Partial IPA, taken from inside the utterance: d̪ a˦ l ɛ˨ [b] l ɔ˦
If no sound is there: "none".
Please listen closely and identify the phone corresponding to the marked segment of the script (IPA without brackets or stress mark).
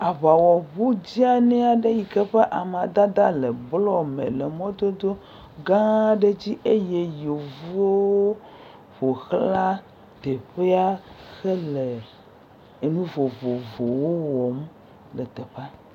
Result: b